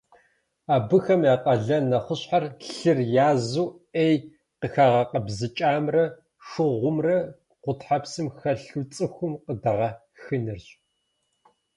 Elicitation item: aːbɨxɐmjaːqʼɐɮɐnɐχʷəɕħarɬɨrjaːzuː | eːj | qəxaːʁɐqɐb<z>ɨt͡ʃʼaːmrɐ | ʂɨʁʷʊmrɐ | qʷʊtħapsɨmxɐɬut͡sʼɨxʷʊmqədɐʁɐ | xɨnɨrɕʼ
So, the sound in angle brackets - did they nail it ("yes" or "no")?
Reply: yes